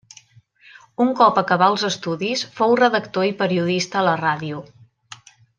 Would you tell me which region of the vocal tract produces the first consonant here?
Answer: velum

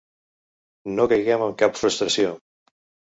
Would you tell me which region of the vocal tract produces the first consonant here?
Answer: tongue tip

